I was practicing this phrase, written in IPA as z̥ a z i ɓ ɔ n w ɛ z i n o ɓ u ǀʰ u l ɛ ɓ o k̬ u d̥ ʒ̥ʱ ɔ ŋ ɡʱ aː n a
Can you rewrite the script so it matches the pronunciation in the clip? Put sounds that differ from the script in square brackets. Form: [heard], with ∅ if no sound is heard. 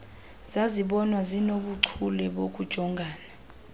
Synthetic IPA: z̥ a z i ɓ ɔ n w [a] z i n o ɓ u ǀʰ u l ɛ ɓ o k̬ u d̥ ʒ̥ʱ ɔ ŋ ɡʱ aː n a